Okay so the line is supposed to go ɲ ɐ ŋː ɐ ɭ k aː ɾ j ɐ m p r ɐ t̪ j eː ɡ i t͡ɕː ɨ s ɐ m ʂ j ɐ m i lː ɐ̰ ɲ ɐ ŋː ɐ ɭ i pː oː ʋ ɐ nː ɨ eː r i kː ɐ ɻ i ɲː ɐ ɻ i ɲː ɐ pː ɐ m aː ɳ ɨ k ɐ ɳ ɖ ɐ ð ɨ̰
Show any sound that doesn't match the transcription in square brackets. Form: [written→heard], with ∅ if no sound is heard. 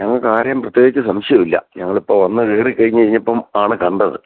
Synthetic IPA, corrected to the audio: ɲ ɐ ŋː ɐ ɭ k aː ɾ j ɐ m p r ɐ t̪ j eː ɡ i t͡ɕː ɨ s ɐ m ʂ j ɐ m i lː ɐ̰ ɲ ɐ ŋː ɐ ɭ i pː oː ʋ ɐ nː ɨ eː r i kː ɐ ɻ i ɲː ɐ ɻ i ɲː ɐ pː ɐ m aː ɳ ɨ k ɐ ɳ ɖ ɐ ð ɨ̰

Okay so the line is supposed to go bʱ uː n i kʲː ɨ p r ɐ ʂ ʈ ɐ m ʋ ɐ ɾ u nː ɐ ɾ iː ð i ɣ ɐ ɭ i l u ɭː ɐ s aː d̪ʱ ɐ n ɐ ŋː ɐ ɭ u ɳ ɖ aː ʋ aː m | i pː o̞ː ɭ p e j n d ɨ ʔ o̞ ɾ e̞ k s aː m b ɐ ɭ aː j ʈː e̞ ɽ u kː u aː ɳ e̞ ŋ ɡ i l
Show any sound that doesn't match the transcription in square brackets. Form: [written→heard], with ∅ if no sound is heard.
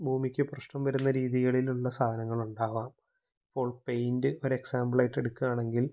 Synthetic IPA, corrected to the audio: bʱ uː [n→m] i kʲː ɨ p r ɐ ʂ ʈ ɐ m ʋ ɐ ɾ u nː ɐ ɾ iː ð i ɣ ɐ ɭ i l u ɭː ɐ s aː d̪ʱ ɐ n ɐ ŋː ɐ ɭ u ɳ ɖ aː ʋ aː m | i pː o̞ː ɭ p e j n d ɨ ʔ o̞ ɾ e̞ k s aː m b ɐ ɭ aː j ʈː e̞ ɽ u kː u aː ɳ e̞ ŋ ɡ i l

